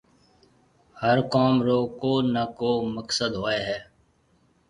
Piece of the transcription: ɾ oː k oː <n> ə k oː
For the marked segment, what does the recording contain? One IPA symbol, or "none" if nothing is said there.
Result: n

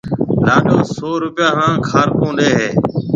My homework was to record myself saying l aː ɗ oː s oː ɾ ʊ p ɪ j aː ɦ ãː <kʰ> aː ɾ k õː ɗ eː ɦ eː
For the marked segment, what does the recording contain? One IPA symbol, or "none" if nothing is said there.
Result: kʰ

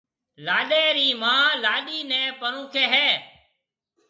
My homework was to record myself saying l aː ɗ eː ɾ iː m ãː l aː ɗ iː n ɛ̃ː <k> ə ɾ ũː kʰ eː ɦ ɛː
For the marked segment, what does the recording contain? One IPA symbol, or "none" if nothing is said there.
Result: p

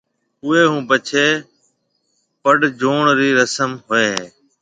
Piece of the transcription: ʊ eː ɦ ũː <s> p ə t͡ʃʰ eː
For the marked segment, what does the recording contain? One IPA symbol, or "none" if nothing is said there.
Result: none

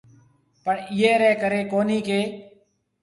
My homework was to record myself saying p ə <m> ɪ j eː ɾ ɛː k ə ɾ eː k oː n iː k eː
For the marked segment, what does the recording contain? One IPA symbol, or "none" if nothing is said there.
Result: ɳ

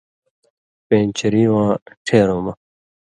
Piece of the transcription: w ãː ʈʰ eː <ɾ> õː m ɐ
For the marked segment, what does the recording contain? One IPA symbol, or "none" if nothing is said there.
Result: ɾ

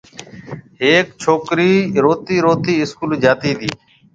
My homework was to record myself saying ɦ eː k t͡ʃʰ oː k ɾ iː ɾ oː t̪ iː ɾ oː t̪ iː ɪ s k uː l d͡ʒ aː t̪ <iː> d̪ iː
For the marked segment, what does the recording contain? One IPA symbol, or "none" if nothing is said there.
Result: iː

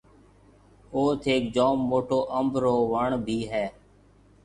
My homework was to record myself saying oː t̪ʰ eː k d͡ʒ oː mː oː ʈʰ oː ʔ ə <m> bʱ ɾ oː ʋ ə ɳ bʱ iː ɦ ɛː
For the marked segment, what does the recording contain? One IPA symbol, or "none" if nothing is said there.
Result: m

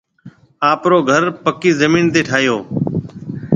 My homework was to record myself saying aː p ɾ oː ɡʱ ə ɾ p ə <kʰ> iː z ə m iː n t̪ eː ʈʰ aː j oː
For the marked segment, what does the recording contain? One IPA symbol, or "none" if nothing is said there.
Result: k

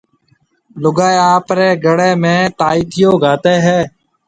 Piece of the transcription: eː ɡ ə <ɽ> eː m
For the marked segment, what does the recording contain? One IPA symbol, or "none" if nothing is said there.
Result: ɽ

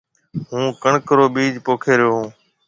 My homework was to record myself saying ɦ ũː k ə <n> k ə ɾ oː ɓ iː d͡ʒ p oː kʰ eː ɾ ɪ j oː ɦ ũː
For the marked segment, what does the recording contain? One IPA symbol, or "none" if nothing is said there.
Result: ɳ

